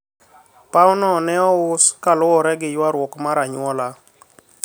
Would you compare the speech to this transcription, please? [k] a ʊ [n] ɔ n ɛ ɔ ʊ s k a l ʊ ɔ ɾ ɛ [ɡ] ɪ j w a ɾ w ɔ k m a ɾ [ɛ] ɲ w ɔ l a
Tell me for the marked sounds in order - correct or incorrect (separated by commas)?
incorrect, correct, correct, incorrect